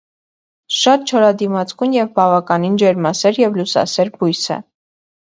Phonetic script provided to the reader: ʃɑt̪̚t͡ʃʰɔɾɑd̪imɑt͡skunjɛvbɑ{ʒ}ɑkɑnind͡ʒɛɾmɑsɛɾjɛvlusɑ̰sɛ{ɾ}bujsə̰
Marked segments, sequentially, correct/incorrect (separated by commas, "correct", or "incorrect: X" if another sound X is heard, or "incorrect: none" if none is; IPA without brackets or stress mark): incorrect: v, correct